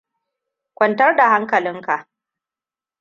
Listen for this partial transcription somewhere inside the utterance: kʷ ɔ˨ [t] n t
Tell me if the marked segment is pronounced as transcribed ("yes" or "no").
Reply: no